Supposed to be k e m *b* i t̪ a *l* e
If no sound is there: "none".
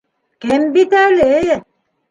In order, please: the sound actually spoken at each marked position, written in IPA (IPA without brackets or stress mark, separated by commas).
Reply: b, l